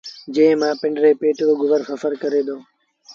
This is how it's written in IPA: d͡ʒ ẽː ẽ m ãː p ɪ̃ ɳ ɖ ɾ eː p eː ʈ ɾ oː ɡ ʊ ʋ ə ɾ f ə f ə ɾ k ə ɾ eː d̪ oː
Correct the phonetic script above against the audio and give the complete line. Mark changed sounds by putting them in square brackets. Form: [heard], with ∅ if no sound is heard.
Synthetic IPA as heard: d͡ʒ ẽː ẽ m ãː p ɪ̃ ɳ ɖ ɾ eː p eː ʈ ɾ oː ɡ ʊ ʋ ə ɾ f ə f ə ɾ k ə ɾ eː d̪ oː